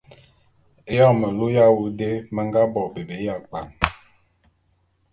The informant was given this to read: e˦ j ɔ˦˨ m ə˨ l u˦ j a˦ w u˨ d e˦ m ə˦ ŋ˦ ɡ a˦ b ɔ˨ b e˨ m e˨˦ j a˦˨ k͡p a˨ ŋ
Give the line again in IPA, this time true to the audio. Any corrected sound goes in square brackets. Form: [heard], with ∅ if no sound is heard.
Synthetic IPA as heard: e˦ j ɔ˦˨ m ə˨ l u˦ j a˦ w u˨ d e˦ m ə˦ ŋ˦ ɡ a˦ b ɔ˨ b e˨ [b] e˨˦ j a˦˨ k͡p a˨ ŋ